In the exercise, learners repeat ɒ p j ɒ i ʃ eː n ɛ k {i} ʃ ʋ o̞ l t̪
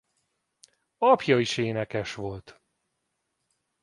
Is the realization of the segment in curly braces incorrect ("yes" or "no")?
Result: yes